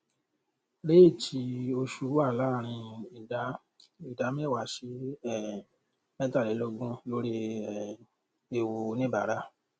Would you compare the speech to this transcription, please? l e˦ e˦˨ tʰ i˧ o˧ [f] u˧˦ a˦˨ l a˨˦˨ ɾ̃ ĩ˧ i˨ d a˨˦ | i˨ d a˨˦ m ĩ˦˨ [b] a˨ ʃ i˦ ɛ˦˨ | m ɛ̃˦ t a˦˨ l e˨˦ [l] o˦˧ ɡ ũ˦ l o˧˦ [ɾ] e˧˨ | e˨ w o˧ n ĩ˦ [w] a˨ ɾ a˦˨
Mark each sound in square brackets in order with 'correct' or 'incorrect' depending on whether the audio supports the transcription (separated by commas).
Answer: incorrect, incorrect, correct, correct, incorrect